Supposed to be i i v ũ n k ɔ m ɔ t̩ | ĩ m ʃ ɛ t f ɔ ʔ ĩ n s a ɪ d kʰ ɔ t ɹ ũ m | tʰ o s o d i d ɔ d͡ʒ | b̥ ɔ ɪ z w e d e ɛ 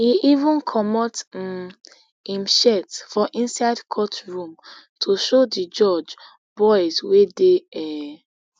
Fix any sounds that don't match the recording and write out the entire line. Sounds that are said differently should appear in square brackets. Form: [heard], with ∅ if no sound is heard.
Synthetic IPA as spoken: i i v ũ n [kʰ] ɔ m ɔ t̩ | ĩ m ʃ ɛ t f ɔ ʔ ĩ n s a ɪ d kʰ ɔ t ɹ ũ m | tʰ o [ʃ] o d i [d͡ʒ] ɔ d͡ʒ | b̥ ɔ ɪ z w e d e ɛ